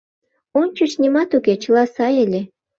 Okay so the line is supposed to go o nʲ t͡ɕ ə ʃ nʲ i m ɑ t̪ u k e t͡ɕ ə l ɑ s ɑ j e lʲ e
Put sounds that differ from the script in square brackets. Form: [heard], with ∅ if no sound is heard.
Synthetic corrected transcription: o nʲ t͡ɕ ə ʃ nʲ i m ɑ t̪ u k e t͡ɕ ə l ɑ s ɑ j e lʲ e